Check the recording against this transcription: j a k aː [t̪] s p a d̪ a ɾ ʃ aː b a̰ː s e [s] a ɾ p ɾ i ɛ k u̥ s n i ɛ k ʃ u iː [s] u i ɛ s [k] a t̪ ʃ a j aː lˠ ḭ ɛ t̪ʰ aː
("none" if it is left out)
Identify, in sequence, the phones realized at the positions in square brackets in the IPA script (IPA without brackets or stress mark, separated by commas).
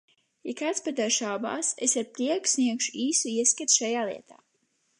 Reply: t̪, s, s, k